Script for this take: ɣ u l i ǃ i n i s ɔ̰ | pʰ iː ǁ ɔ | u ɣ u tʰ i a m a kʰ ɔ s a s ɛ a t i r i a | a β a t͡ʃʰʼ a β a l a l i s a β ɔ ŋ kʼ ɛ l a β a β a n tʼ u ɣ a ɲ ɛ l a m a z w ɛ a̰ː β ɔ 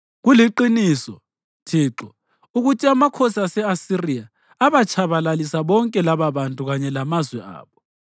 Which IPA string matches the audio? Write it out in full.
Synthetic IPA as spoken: ɣ u l i ǃ i n i s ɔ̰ | tʰ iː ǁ ɔ | u ɣ u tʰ i a m a kʰ ɔ s a s ɛ a s i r i a | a β a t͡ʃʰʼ a β a l a l i s a β ɔ ŋ kʼ ɛ l a β a β a n tʼ u ɣ a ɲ ɛ l a m a z w ɛ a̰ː β ɔ